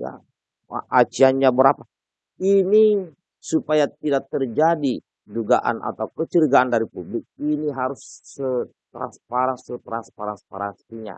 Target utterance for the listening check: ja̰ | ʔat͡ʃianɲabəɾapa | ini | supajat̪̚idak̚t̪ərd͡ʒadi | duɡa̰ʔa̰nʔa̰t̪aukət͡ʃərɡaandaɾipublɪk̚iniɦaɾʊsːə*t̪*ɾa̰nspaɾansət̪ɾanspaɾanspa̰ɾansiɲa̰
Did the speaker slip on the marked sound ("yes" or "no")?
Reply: no